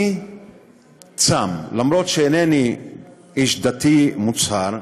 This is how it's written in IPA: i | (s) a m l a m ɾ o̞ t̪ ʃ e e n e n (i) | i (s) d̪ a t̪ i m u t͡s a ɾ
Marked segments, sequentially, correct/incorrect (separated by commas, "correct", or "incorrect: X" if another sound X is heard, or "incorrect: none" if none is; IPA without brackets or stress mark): incorrect: t͡s, correct, incorrect: ʃ